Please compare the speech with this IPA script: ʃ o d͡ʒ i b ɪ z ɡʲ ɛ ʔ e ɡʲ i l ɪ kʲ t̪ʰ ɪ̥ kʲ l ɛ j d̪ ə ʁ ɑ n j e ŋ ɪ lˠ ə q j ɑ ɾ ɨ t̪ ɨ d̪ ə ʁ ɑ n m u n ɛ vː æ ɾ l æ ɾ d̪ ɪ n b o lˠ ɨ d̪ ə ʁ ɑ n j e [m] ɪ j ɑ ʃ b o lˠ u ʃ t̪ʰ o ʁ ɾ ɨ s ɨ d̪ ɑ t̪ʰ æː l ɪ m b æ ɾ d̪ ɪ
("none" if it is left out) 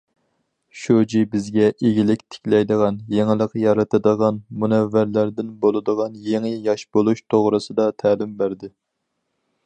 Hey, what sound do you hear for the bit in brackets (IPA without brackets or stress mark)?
ŋ